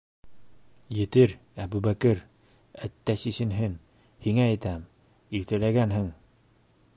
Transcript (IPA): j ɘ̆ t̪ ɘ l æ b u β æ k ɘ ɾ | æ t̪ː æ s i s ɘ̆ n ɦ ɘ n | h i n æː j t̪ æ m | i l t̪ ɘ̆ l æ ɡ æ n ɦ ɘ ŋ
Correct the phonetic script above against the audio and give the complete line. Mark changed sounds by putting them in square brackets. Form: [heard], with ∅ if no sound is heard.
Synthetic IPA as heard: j ɘ̆ t̪ ɘ [ɾ] æ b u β æ k ɘ ɾ | æ t̪ː æ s i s ɘ̆ n ɦ ɘ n | h i [ŋ] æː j t̪ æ m | i l t̪ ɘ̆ l æ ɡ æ n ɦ ɘ ŋ